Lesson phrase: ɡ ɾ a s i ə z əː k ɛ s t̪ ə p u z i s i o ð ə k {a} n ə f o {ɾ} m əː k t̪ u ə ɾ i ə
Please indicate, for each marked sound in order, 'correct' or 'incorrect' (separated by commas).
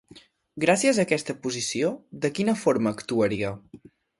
incorrect, correct